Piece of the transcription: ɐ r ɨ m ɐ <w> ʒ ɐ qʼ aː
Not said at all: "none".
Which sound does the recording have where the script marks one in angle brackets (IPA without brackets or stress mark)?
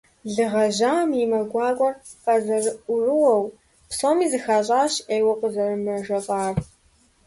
none